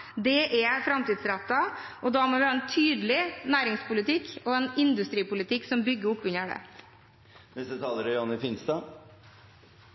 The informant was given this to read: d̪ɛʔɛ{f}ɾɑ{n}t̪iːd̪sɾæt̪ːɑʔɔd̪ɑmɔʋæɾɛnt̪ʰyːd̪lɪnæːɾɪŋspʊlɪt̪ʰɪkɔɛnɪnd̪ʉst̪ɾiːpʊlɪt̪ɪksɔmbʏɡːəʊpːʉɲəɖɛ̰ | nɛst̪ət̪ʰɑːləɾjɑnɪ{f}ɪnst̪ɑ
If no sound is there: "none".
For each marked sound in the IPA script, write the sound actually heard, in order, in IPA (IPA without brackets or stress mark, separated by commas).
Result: f, m, f